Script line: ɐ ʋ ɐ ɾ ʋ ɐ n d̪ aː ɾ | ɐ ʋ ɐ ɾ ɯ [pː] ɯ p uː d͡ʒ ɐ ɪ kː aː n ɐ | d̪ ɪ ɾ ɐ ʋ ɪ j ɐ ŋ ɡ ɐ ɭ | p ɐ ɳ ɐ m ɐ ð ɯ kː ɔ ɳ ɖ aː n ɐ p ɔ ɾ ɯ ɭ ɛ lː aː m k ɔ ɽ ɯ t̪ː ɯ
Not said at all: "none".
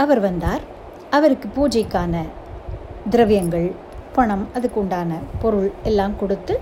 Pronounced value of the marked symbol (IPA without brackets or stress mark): kː